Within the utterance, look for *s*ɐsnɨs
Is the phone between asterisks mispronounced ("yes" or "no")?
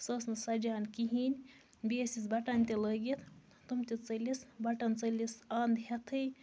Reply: no